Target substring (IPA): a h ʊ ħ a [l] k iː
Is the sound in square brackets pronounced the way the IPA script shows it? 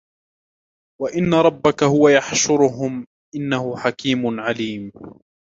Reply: no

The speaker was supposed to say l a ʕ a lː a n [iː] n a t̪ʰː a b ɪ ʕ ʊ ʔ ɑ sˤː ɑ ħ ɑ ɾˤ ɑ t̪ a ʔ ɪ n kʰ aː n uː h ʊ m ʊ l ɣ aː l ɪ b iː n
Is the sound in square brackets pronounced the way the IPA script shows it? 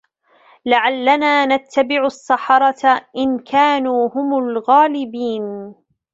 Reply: no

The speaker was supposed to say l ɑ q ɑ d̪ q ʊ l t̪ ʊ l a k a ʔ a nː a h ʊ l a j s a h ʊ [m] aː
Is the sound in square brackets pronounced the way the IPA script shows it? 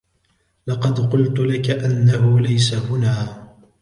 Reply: no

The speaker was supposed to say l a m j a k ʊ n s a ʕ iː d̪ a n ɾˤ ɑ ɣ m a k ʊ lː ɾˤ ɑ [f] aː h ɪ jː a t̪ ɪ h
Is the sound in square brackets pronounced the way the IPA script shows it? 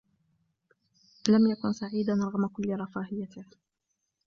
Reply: yes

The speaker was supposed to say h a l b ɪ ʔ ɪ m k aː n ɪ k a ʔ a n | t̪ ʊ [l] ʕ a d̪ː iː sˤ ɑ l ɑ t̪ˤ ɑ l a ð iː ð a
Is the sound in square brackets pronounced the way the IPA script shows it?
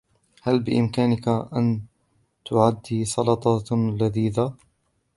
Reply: no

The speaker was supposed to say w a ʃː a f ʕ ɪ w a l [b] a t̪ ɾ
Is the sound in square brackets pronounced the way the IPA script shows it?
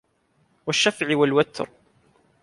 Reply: no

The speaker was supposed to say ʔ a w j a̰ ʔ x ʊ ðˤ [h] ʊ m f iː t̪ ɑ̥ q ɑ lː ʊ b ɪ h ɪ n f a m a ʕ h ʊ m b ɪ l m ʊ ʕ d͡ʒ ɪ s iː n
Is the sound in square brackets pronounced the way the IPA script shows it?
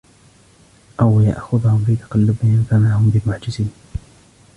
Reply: yes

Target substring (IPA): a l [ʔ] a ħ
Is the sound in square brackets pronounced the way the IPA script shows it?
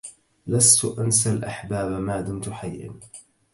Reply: yes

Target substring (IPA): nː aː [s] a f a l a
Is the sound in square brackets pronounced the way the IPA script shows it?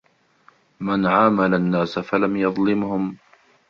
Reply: yes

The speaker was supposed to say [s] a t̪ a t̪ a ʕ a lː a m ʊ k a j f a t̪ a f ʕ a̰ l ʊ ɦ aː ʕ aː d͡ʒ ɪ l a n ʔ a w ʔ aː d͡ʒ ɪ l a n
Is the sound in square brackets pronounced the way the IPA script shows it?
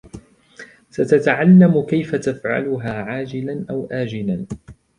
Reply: yes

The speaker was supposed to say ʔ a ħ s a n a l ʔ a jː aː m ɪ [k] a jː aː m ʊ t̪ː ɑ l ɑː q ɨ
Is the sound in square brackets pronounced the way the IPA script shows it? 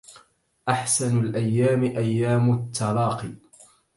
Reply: no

